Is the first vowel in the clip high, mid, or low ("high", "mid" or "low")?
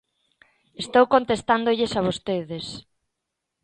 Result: mid